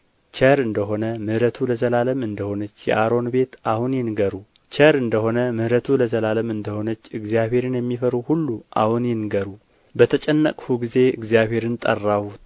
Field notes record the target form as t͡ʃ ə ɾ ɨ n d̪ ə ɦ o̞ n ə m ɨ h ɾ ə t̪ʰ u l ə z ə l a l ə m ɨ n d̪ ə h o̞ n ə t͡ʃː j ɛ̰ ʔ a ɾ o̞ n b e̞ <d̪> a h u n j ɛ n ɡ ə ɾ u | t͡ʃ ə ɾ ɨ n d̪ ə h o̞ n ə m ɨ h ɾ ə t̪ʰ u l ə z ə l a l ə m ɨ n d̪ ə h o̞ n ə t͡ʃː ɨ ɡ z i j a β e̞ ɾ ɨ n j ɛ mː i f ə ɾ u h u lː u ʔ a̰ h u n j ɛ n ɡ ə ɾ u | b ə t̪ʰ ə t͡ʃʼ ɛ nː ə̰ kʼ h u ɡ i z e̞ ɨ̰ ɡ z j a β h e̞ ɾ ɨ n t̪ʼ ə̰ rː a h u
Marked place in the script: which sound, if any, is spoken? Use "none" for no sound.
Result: t̪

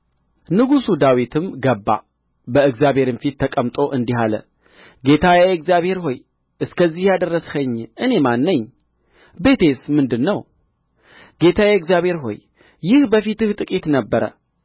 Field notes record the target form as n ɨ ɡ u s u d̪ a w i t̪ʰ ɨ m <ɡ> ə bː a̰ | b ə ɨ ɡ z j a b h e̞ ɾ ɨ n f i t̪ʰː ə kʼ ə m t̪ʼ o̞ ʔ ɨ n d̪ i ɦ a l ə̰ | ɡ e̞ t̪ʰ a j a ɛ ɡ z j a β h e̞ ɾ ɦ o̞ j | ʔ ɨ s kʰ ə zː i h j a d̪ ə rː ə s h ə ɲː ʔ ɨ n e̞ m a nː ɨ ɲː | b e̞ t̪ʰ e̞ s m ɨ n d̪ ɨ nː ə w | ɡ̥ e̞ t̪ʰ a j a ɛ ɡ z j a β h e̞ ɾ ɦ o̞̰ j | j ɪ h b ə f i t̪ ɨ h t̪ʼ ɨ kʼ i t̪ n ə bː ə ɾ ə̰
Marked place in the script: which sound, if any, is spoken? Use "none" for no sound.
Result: ɡ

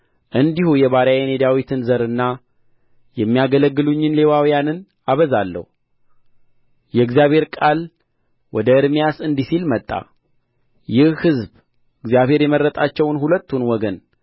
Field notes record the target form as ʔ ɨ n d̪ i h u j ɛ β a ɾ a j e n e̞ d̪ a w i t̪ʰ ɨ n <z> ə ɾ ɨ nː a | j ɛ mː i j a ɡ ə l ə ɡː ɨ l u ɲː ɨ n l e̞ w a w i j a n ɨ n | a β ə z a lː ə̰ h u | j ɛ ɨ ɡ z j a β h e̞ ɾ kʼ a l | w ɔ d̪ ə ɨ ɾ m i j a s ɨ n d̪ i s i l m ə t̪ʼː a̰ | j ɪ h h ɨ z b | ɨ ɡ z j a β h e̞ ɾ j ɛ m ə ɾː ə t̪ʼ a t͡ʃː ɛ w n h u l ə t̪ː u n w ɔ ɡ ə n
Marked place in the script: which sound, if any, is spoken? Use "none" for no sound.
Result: z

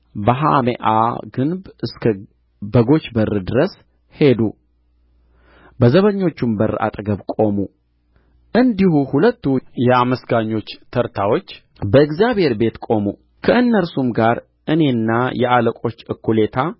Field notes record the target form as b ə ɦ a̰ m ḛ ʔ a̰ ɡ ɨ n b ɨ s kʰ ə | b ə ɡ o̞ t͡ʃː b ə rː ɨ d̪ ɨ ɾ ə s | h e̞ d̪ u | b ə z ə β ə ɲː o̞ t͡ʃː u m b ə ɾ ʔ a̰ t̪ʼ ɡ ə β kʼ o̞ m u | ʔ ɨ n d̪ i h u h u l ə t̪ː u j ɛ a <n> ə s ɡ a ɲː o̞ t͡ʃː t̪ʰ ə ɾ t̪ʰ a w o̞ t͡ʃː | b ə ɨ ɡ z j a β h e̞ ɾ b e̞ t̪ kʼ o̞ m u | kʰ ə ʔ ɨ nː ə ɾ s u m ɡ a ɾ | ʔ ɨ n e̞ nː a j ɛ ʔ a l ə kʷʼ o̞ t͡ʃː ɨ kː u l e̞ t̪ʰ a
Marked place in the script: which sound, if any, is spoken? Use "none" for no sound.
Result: m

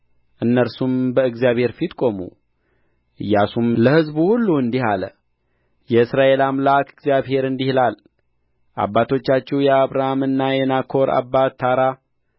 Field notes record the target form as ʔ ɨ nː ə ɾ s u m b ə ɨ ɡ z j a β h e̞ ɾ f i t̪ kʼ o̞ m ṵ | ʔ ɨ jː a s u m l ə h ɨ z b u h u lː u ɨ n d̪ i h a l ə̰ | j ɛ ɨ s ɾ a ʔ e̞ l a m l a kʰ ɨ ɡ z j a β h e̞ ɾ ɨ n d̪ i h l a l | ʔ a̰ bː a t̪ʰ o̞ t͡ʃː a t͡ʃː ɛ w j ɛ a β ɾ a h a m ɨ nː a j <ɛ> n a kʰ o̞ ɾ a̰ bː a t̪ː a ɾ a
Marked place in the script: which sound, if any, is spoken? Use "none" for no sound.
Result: ɛ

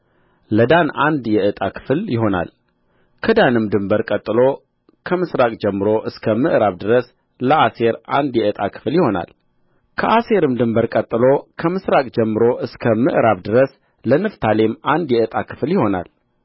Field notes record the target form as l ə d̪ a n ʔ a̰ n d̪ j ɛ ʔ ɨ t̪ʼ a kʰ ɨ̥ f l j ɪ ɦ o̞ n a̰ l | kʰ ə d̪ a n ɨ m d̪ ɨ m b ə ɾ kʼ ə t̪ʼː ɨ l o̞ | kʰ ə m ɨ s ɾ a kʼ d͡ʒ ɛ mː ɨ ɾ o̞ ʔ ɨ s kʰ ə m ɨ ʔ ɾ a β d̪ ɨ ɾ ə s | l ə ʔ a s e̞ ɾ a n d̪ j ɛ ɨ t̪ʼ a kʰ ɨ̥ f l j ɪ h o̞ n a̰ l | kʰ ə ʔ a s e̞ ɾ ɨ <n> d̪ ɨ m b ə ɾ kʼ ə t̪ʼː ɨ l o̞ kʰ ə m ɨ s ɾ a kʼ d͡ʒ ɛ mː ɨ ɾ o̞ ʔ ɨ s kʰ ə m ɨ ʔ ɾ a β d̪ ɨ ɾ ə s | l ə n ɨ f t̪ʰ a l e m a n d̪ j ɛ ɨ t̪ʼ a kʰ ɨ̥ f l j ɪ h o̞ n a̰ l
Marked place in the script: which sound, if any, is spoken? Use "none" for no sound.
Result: m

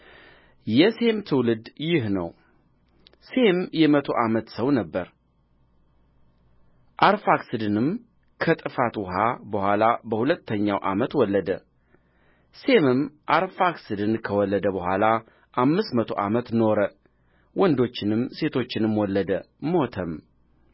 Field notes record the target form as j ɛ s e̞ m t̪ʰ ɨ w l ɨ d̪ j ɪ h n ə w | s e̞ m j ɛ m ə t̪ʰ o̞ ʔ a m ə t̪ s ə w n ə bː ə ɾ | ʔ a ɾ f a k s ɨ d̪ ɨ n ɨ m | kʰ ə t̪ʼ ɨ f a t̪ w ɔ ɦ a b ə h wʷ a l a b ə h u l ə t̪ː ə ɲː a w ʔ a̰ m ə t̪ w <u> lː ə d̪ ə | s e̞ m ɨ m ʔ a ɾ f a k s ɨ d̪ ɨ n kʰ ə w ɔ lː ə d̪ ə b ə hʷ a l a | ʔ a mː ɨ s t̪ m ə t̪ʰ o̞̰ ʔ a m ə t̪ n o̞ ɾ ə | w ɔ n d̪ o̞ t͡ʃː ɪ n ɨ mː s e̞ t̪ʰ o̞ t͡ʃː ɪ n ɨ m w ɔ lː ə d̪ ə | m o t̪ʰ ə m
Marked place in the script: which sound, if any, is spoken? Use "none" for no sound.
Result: ɔ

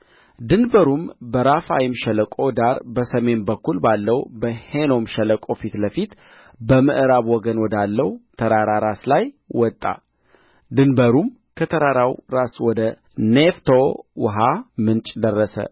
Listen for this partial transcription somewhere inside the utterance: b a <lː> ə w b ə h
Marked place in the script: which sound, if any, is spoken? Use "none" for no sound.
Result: lː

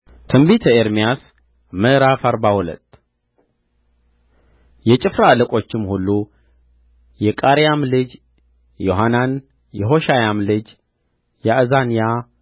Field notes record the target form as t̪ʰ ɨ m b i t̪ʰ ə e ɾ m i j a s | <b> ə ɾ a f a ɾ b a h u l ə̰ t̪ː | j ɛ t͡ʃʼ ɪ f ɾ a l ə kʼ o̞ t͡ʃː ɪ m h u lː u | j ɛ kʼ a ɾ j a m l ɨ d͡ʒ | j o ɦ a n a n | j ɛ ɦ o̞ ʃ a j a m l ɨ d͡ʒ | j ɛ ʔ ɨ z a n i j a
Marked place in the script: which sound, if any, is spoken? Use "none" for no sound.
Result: m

